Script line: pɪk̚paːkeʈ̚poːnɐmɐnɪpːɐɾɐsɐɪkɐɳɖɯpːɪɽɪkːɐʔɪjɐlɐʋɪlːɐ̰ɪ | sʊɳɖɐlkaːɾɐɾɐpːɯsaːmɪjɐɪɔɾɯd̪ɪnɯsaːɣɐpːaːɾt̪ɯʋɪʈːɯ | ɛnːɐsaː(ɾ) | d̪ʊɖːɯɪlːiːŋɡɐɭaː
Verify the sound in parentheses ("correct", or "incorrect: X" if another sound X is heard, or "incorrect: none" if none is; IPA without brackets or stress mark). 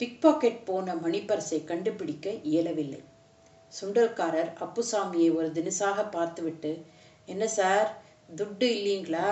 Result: correct